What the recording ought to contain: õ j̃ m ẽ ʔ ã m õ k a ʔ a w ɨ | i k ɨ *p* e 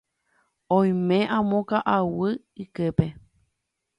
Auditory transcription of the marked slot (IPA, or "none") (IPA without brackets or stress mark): p